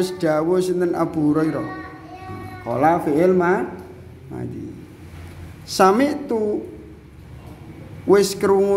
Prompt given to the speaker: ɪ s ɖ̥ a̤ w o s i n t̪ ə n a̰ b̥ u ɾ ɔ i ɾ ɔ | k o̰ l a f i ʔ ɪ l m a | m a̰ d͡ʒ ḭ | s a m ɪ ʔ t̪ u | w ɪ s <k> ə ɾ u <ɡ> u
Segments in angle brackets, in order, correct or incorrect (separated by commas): correct, incorrect